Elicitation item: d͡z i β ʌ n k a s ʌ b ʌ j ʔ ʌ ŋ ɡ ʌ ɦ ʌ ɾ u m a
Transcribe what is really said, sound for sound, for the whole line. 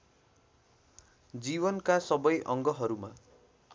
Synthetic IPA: d͡z i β ʌ n k a s ʌ b ʌ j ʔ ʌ ŋ ɡ ʌ ɦ ʌ ɾ u m a